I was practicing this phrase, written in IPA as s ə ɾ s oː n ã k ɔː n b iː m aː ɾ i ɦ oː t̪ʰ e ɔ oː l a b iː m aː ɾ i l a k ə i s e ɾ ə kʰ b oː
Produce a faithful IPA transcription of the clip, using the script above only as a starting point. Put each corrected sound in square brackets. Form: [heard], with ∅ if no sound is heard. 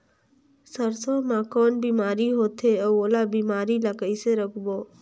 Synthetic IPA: s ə ɾ s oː [m] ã k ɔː n b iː m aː ɾ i ɦ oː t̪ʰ e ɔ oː l a b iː m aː ɾ i l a k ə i s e ɾ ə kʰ b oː